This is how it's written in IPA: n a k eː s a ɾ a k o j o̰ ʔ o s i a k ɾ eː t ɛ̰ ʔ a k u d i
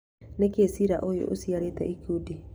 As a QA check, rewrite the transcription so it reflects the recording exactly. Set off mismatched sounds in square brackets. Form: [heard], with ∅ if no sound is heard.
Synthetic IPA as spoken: n [e] k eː s [i] ɾ a [ʔ] o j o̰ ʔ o s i a [∅] ɾ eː t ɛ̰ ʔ [i] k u d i